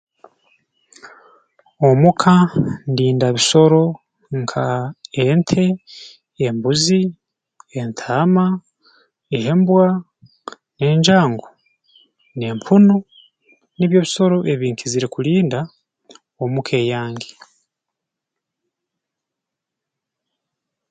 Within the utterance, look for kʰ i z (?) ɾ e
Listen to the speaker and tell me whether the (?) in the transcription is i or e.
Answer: i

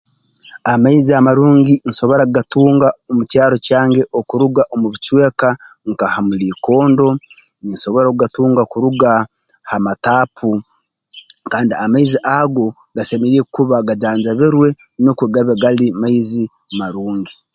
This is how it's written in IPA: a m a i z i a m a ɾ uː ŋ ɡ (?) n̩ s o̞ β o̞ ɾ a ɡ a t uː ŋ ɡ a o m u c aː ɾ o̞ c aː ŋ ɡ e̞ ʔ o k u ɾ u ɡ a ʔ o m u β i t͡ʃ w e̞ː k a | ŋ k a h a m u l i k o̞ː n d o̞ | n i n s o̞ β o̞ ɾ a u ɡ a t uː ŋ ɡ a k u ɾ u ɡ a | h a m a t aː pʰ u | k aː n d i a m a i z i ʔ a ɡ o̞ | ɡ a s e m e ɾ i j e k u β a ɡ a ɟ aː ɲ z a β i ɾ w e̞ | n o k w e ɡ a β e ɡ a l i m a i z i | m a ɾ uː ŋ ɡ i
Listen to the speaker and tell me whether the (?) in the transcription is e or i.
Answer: i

